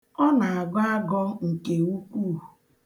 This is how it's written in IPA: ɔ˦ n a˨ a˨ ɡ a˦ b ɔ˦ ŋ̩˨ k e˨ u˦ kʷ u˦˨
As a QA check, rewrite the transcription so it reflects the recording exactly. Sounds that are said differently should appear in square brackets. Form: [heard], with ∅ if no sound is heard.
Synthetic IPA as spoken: ɔ˦ n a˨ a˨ ɡ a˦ [ɡ] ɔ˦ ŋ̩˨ k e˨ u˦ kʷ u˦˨